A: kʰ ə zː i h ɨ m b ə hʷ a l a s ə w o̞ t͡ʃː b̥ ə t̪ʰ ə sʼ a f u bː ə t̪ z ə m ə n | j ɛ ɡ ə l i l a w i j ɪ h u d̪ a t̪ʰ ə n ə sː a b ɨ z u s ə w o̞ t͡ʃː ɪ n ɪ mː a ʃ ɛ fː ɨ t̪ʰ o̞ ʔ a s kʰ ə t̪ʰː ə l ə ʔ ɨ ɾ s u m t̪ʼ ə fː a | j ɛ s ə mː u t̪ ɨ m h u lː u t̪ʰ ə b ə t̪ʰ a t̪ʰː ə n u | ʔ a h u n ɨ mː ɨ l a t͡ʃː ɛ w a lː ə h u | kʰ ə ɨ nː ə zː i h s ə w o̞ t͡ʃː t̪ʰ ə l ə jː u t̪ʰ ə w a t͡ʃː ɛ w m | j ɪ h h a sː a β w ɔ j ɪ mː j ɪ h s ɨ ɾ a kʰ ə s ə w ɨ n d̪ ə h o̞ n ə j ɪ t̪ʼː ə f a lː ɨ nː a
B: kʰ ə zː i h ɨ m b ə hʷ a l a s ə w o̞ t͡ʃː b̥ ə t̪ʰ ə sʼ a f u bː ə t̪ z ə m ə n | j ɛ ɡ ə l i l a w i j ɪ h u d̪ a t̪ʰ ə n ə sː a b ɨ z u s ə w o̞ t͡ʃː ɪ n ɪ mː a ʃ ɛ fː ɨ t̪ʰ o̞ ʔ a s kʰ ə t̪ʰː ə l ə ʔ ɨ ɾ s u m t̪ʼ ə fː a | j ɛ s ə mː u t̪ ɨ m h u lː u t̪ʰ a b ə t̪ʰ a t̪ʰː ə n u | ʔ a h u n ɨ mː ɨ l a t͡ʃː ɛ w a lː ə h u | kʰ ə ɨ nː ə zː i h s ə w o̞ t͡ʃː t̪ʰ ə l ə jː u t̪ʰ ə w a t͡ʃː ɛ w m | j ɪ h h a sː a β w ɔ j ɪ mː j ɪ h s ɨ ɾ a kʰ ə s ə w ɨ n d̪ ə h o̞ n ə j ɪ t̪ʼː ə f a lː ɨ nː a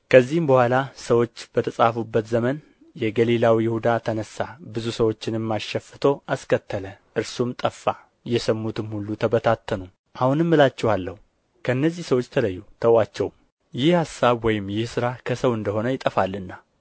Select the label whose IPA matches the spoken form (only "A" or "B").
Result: A